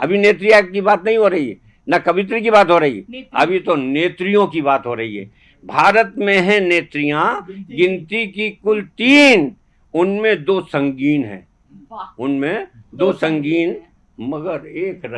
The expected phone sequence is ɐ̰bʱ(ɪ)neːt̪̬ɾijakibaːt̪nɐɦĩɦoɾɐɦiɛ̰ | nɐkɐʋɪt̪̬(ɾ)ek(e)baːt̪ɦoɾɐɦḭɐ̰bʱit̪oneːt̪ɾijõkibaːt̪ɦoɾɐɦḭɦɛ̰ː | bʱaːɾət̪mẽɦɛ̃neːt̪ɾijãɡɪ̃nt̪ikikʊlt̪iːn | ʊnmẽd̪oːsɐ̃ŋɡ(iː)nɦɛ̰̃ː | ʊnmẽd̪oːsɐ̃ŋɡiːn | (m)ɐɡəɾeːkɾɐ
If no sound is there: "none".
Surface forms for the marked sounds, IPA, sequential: i, ɾ, i, iː, m

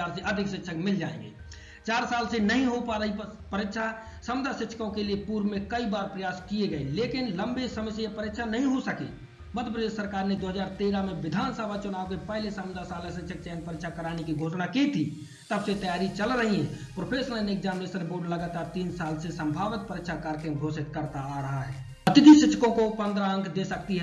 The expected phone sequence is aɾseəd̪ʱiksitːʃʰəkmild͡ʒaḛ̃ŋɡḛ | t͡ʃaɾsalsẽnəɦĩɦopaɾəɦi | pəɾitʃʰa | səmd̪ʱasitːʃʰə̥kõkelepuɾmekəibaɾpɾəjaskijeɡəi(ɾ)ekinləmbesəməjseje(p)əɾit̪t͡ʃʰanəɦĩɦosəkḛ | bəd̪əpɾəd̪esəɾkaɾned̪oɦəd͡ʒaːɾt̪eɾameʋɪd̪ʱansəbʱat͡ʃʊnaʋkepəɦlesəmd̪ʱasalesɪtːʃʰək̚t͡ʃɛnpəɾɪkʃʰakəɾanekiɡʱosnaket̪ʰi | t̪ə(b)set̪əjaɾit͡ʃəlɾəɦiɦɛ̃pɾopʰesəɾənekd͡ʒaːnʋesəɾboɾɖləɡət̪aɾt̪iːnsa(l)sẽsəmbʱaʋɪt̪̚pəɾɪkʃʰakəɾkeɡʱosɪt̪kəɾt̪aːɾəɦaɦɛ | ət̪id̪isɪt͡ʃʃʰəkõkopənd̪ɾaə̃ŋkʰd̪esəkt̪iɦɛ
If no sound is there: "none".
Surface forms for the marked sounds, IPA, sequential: l, p, b, l

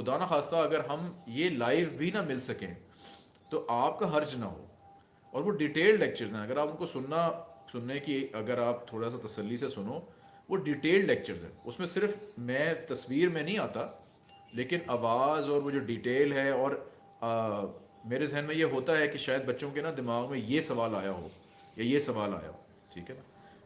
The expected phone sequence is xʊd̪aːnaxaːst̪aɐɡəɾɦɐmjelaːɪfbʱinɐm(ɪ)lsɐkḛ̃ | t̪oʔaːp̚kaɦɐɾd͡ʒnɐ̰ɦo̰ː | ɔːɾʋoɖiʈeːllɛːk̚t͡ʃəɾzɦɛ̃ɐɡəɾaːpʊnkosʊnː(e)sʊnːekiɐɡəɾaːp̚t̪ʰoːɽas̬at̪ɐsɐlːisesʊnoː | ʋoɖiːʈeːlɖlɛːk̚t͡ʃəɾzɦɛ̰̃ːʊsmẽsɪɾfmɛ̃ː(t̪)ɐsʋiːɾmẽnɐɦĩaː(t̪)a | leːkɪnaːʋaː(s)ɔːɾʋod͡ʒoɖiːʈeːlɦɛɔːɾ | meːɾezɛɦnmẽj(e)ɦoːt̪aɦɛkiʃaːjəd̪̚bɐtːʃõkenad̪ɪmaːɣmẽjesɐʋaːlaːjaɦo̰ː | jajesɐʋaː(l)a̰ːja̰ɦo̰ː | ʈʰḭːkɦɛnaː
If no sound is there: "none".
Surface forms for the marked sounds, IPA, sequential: ɪ, a, t̪, t̪, z, e, l

